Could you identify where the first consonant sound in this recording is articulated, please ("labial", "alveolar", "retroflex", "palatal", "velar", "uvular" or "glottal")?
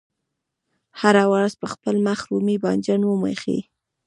glottal